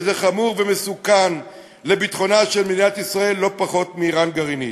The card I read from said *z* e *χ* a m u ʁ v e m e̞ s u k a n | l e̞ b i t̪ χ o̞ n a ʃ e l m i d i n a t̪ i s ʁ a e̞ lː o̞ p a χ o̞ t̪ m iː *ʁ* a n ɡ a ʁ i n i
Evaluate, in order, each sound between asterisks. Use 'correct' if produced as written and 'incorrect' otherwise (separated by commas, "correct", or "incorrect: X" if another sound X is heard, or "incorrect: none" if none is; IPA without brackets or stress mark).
correct, correct, correct